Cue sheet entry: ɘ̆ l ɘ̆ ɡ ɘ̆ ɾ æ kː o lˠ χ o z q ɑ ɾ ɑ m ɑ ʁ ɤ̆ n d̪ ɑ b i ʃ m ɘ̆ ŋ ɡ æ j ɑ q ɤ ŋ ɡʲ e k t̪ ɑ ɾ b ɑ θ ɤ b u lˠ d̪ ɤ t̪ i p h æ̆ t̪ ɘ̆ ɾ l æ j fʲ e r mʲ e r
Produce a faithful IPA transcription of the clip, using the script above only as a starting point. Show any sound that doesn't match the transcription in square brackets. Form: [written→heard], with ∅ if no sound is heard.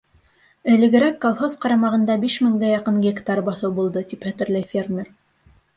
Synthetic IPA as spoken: ɘ̆ l ɘ̆ ɡ ɘ̆ ɾ æ kː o lˠ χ o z q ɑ ɾ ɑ m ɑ ʁ ɤ̆ n d̪ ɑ b i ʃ m ɘ̆ ŋ ɡ æ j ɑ q ɤ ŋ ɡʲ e k t̪ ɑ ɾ b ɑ θ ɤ b u lˠ d̪ ɤ t̪ i p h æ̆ t̪ ɘ̆ ɾ l æ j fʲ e r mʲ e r